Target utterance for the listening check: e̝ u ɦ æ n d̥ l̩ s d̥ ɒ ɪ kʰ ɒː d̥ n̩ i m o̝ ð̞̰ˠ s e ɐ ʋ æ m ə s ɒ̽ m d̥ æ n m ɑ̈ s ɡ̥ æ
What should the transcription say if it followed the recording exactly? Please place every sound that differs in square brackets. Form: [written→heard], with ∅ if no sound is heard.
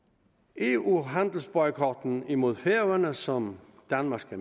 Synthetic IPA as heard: e̝ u ɦ æ n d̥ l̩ s [d̥→b̥] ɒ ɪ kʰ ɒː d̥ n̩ i m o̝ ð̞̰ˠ [s→f] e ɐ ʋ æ [m→n] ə s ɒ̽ m d̥ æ n m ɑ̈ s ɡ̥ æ